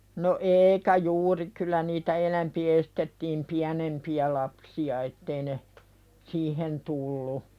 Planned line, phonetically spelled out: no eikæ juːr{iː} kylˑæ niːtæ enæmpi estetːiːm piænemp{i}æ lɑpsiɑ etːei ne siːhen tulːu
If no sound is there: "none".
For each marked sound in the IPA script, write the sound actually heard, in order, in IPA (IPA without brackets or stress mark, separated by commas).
i, i